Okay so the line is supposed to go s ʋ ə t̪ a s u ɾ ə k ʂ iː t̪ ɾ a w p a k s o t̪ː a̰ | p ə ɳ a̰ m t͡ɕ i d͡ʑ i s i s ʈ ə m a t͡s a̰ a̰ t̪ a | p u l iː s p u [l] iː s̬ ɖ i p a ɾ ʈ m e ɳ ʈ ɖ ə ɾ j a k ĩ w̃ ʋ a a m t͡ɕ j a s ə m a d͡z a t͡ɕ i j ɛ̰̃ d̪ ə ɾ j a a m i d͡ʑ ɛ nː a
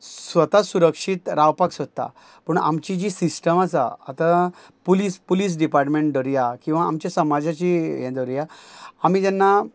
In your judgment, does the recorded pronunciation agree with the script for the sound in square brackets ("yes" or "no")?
yes